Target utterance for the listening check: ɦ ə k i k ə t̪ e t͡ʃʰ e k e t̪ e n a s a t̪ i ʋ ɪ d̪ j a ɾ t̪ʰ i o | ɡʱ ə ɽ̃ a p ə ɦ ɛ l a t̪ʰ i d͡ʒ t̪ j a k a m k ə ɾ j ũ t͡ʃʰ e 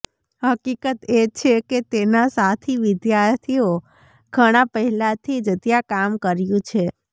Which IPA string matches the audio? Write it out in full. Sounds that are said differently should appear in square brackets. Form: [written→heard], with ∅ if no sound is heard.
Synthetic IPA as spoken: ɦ ə k i k ə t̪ e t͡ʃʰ e k e t̪ e n a s a [t̪→t̪ʰ] i ʋ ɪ d̪ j a ɾ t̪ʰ i o | ɡʱ ə ɽ̃ a p ə ɦ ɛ l a t̪ʰ i d͡ʒ t̪ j a k a m k ə ɾ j ũ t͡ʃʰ e